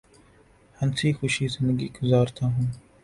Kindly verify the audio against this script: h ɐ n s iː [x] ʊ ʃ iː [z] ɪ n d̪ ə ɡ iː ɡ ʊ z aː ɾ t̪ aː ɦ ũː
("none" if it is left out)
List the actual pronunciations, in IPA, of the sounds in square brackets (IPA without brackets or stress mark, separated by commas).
x, z